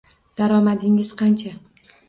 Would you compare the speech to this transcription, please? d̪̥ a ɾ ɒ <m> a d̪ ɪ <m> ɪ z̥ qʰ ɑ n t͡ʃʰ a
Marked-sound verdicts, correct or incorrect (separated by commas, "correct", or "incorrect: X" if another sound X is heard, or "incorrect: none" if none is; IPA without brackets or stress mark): correct, incorrect: ŋ